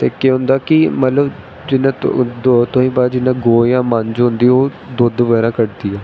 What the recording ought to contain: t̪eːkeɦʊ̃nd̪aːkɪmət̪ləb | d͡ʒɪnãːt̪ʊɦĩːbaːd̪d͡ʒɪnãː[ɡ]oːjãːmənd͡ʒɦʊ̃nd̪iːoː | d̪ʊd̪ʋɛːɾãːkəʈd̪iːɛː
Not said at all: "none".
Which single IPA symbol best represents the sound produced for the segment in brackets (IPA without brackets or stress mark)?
ɡ